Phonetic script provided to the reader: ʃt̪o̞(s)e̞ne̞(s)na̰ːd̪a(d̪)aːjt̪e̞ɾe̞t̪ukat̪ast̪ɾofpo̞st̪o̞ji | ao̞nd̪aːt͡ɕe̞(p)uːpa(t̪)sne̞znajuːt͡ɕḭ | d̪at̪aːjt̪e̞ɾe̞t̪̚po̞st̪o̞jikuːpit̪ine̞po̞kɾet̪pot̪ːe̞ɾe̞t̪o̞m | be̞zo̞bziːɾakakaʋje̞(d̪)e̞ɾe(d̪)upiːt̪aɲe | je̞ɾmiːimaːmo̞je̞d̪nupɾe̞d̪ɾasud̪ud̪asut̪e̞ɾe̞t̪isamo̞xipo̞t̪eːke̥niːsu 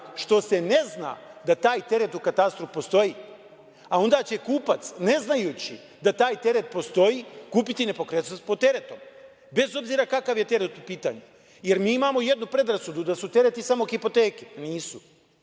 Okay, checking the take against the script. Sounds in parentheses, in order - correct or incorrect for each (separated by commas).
correct, incorrect, incorrect, incorrect, correct, incorrect, incorrect